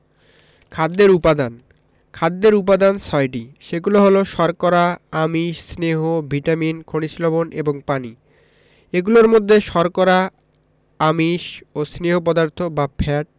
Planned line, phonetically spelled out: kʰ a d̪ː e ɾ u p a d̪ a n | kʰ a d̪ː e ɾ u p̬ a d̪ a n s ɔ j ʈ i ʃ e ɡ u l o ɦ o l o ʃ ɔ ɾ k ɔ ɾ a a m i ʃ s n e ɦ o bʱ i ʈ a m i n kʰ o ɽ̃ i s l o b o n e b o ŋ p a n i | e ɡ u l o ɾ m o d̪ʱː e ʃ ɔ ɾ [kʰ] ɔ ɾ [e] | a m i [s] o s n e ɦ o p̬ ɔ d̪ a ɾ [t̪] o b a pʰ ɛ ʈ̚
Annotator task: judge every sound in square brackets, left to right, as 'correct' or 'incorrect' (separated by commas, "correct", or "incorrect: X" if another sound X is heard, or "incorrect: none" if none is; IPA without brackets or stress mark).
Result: incorrect: k, incorrect: a, incorrect: ʃ, incorrect: t̪ʰ